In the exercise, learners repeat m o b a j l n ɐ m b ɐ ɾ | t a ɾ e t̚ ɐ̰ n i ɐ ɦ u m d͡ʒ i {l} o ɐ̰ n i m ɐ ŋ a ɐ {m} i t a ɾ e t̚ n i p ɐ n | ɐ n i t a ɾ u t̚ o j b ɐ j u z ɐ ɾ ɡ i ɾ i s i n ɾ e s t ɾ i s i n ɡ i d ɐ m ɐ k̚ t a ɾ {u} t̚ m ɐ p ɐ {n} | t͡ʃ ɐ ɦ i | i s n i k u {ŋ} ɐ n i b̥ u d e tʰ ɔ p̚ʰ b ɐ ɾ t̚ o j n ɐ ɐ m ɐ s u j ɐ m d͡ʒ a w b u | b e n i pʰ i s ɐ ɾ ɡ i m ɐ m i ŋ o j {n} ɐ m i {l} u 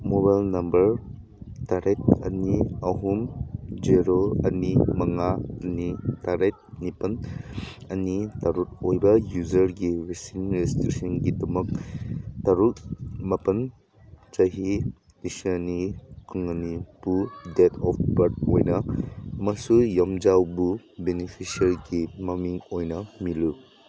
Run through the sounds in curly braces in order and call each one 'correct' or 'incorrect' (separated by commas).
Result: incorrect, incorrect, correct, correct, correct, correct, correct